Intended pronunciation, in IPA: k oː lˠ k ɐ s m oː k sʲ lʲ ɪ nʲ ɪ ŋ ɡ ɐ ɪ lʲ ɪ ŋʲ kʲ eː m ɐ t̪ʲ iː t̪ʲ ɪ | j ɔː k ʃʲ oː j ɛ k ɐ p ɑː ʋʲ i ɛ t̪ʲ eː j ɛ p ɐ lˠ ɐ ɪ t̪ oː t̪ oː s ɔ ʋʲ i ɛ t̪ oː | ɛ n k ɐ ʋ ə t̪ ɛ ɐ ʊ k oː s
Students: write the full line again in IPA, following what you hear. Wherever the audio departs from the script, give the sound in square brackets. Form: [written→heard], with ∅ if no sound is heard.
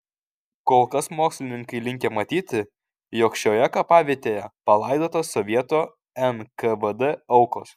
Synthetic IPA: k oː lˠ k ɐ s m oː k sʲ lʲ ɪ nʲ ɪ ŋ [ɡ→k] ɐ ɪ lʲ ɪ ŋʲ kʲ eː m ɐ t̪ʲ iː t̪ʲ ɪ | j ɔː k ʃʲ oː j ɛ k ɐ p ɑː ʋʲ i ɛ t̪ʲ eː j ɛ p ɐ lˠ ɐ ɪ [t̪→d̪] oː t̪ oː s ɔ ʋʲ i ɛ t̪ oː | ɛ n k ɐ ʋ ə [t̪→d̪] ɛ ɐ ʊ k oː s